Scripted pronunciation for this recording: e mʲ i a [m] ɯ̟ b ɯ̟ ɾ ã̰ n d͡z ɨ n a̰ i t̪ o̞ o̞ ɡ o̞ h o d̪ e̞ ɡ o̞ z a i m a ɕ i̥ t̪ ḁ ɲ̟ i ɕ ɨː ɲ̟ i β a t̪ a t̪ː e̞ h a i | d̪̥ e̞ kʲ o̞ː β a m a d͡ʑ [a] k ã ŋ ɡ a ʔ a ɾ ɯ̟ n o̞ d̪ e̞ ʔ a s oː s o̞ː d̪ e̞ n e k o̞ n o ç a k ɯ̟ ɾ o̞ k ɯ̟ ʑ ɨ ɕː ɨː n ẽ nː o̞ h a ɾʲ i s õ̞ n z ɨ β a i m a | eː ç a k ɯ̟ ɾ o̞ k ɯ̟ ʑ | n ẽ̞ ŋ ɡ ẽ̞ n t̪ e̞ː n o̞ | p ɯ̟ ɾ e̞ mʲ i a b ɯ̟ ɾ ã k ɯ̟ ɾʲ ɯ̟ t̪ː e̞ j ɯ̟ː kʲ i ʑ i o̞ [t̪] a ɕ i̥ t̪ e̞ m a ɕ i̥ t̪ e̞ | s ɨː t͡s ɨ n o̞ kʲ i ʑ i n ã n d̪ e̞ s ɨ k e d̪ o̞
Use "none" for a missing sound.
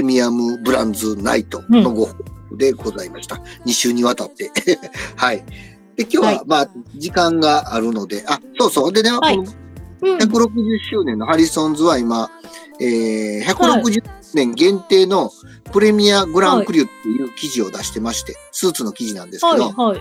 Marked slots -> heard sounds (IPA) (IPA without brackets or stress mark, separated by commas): m, i, d̪